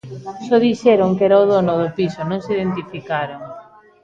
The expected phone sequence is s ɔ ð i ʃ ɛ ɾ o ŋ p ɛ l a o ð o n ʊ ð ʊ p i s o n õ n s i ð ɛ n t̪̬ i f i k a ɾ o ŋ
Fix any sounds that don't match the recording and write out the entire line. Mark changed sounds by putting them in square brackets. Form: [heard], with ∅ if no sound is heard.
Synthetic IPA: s ɔ ð i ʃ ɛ ɾ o ŋ [k] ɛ [ɾ] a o ð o n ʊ ð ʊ p i s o n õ [ŋ] s i ð [e] n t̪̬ i f i k a ɾ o ŋ